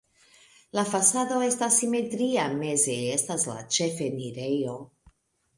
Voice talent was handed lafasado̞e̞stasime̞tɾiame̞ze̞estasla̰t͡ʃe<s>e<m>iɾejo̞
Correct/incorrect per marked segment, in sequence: incorrect, incorrect

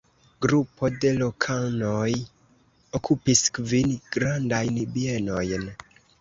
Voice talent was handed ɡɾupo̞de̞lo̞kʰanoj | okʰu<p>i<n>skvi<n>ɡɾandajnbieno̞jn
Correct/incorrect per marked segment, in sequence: correct, incorrect, correct

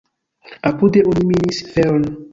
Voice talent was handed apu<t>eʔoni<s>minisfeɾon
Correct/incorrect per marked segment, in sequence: incorrect, incorrect

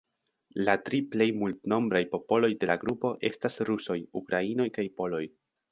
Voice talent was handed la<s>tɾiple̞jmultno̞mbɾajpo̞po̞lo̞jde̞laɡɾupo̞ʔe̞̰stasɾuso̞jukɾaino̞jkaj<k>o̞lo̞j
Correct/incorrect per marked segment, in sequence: incorrect, incorrect

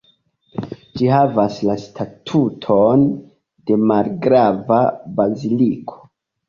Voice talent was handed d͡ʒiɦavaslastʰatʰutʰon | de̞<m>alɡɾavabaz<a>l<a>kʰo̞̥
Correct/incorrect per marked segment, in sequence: correct, incorrect, incorrect

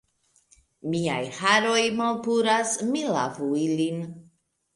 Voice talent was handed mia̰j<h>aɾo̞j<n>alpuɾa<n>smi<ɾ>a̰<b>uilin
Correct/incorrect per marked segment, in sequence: correct, incorrect, incorrect, incorrect, incorrect

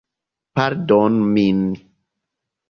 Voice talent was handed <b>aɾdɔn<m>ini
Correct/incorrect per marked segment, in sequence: incorrect, correct

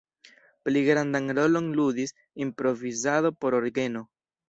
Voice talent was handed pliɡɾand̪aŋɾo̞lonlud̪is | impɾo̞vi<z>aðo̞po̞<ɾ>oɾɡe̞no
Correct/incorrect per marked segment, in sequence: correct, correct

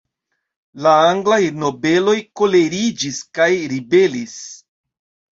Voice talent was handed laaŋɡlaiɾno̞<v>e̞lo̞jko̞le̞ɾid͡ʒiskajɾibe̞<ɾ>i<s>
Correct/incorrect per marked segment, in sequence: incorrect, incorrect, correct

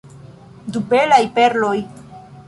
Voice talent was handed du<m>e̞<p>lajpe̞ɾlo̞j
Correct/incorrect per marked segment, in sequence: incorrect, incorrect

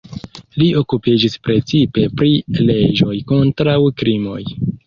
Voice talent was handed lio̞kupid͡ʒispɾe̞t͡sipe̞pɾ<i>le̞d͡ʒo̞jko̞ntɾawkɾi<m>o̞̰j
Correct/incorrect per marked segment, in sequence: correct, correct

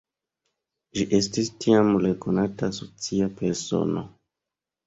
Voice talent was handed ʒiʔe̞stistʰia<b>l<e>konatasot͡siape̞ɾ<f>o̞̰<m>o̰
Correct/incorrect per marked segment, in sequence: incorrect, correct, incorrect, incorrect

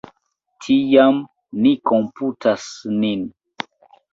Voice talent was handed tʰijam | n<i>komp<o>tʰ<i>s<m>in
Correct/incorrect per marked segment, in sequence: correct, incorrect, incorrect, incorrect

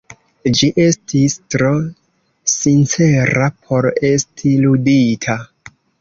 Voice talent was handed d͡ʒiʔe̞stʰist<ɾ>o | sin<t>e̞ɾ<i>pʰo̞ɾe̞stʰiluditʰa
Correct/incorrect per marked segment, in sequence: correct, incorrect, incorrect

